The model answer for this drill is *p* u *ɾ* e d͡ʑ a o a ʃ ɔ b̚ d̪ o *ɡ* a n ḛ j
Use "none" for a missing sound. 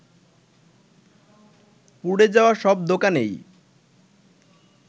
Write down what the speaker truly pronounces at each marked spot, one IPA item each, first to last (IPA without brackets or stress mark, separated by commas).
p, ɽ, k